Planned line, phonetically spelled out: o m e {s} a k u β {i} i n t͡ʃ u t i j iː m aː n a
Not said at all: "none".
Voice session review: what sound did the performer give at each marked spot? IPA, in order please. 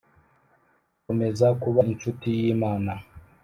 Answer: z, a

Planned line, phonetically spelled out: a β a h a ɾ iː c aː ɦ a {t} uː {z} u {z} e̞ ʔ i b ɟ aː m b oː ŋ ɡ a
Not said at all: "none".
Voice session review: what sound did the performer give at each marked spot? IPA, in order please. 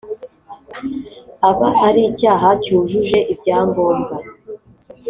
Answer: c, ʒ, ʒ

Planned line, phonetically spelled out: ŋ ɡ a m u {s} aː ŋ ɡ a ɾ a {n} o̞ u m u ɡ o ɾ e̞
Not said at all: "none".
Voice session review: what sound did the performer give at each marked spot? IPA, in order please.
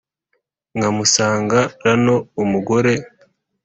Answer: s, n

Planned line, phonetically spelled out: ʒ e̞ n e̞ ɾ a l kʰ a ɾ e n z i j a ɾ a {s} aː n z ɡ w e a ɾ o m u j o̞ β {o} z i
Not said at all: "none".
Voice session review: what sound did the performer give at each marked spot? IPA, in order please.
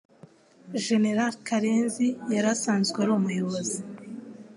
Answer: s, o

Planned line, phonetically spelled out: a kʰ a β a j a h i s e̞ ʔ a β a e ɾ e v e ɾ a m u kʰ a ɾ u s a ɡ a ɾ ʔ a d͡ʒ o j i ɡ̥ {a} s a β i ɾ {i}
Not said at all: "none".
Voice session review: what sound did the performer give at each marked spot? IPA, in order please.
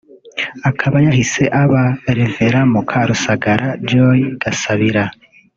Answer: a, a

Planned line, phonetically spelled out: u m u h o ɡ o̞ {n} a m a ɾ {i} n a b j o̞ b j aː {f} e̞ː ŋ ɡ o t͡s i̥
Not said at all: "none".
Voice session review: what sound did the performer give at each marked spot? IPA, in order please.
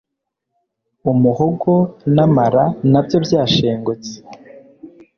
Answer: n, a, ʃ

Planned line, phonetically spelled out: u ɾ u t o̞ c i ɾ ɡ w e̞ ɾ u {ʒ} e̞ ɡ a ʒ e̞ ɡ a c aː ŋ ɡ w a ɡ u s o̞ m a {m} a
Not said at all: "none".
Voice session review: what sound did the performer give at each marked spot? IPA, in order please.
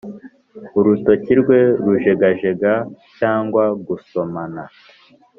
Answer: ʒ, n

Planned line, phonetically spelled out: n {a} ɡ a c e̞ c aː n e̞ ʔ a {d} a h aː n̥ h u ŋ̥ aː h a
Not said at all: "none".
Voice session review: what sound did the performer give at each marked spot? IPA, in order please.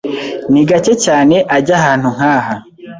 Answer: i, ɟ

